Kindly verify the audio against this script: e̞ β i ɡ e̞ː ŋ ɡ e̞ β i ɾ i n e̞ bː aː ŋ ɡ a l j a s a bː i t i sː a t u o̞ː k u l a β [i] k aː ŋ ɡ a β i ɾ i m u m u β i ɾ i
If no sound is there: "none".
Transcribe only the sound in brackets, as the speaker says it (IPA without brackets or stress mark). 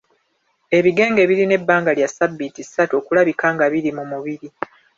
i